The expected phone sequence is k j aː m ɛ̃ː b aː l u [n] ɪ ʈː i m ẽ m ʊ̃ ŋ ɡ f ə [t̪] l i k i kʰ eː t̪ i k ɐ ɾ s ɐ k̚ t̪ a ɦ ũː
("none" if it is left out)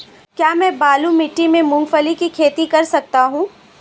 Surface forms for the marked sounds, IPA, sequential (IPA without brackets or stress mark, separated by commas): m, none